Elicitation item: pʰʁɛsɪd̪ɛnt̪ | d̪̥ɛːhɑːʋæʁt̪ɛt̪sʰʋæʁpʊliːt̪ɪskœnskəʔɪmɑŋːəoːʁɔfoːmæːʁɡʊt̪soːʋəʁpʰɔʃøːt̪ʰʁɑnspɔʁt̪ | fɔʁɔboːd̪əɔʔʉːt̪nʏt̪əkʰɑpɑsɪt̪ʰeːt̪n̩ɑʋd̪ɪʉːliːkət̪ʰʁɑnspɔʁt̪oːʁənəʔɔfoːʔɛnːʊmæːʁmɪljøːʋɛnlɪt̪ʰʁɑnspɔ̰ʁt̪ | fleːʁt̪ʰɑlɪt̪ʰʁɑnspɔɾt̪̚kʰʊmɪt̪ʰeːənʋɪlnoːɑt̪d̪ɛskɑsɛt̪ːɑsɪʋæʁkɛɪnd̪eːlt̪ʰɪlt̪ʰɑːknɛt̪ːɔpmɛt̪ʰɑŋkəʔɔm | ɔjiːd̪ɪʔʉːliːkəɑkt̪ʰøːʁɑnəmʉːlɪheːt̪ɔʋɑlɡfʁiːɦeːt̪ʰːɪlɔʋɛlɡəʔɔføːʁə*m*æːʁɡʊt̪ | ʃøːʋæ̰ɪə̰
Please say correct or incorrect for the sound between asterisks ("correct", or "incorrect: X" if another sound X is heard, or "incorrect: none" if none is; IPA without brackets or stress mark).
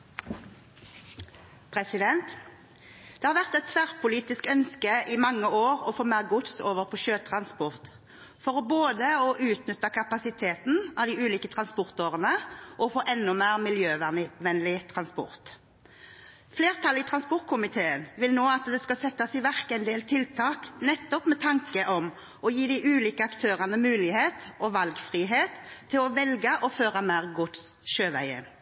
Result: correct